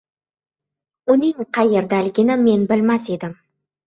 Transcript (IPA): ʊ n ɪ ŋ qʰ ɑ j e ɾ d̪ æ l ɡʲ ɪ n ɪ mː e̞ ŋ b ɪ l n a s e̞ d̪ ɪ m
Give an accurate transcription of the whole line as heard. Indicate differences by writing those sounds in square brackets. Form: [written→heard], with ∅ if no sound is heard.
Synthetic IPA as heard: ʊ n ɪ ŋ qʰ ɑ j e ɾ d̪ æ l ɡʲ ɪ n ɪ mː e̞ [ŋ→n] b ɪ l [n→m] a s e̞ d̪ ɪ m